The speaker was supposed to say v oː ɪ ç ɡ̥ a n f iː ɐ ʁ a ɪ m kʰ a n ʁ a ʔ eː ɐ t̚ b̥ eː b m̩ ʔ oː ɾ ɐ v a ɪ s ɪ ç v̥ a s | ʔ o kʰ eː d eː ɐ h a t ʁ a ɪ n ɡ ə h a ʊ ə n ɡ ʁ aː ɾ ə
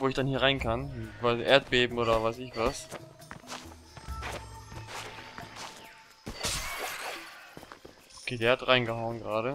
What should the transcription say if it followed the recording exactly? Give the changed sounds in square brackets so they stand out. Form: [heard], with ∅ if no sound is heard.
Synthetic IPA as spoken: v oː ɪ ç [d̥] a n [h] iː ɐ ʁ a ɪ [n] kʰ a n [v] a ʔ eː ɐ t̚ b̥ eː b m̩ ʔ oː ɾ ɐ v a ɪ s ɪ ç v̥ a s | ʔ o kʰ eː d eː ɐ h a t ʁ a ɪ n ɡ ə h a ʊ ə n ɡ ʁ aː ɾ ə

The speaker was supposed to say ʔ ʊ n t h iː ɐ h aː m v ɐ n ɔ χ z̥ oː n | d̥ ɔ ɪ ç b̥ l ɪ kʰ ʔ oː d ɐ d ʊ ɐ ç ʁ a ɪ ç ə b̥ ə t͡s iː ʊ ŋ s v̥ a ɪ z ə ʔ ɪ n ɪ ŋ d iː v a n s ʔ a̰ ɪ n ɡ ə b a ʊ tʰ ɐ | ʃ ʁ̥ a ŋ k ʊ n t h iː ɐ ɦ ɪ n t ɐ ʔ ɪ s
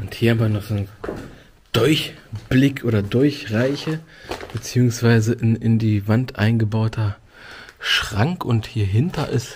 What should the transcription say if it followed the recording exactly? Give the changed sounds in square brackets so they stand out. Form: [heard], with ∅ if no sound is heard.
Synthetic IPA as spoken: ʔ ʊ n t h iː ɐ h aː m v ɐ n ɔ χ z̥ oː n | d̥ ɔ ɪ ç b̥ l ɪ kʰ ʔ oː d ɐ d ʊ ɐ ç ʁ a ɪ ç ə b̥ ə t͡s iː ʊ ŋ s v̥ a ɪ z ə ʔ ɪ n ɪ [n] d iː v a n [t] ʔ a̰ ɪ n ɡ ə b a ʊ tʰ ɐ | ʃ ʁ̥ a ŋ k ʊ n t h iː ɐ ɦ ɪ n t ɐ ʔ ɪ s

